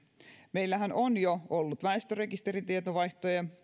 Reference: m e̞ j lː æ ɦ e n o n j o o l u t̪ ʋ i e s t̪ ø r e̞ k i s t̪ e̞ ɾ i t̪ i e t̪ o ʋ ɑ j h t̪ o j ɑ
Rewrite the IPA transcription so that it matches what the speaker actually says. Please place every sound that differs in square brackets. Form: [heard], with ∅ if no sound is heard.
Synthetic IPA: m e̞ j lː æ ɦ [æ] n o n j o o [lː] u t̪ ʋ [æ] e s t̪ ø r e̞ k i s t̪ e̞ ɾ i t̪ i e t̪ o ʋ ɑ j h t̪ o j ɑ